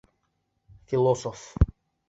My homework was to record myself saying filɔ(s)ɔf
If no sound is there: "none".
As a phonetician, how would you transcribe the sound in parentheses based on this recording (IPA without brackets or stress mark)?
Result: s